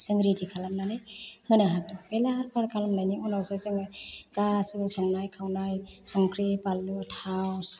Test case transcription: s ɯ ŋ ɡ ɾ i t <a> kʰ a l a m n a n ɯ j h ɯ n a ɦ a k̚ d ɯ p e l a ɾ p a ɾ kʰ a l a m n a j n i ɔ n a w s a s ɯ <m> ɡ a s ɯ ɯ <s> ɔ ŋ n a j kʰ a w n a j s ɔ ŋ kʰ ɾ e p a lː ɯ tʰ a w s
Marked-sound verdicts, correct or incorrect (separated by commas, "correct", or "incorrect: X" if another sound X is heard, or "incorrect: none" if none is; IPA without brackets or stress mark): incorrect: i, incorrect: ŋ, correct